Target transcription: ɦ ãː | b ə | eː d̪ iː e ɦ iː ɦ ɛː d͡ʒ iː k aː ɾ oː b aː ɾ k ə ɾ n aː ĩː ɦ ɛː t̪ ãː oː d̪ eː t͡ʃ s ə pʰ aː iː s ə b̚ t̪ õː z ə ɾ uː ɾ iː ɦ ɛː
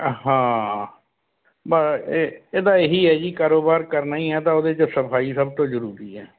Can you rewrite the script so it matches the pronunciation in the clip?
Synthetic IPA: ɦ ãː | b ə | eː d̪ aː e ɦ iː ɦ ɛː d͡ʒ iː k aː ɾ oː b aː ɾ k ə ɾ n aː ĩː ɦ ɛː t̪ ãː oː d̪ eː t͡ʃ s ə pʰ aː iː s ə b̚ t̪ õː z ə ɾ uː ɾ iː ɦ ɛː